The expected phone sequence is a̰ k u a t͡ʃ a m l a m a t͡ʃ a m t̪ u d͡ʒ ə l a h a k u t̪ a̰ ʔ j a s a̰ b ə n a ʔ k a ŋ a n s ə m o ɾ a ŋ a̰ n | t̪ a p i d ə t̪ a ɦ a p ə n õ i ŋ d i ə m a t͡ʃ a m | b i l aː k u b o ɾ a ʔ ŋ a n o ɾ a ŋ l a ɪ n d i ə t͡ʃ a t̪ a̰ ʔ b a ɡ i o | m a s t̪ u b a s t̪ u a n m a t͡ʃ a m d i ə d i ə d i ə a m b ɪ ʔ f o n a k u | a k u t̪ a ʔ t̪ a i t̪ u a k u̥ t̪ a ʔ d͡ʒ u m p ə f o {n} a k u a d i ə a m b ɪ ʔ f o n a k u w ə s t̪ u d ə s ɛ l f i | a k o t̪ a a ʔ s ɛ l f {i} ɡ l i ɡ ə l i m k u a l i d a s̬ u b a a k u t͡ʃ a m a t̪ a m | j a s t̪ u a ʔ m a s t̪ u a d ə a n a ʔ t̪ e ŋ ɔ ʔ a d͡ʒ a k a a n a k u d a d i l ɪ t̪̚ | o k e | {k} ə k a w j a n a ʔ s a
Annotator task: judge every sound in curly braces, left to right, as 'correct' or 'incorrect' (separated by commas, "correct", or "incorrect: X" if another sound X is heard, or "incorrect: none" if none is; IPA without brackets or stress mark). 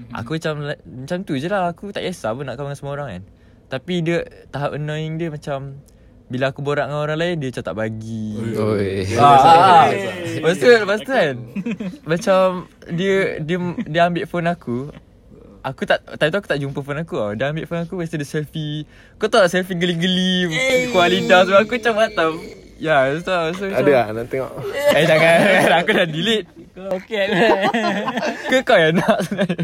correct, correct, correct